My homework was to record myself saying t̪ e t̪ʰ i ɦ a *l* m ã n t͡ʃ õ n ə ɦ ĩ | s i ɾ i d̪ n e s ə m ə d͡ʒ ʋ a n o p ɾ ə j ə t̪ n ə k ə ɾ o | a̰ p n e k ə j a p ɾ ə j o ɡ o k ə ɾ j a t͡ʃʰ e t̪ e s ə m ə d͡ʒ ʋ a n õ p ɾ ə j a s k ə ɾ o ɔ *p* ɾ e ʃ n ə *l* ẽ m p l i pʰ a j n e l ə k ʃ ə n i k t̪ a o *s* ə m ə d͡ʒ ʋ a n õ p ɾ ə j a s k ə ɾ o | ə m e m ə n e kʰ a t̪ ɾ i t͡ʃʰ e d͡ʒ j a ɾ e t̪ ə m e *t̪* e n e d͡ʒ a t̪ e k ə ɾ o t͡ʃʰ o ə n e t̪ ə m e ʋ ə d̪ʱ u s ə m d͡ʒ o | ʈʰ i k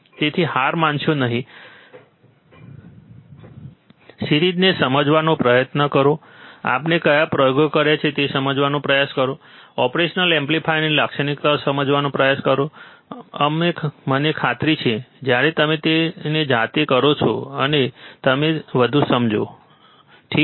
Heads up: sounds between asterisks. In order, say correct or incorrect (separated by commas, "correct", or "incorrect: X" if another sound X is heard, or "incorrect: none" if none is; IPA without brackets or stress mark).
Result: incorrect: ɾ, correct, correct, correct, correct